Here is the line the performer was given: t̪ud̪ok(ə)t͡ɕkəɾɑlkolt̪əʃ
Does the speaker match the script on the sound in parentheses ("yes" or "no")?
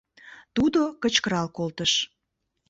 yes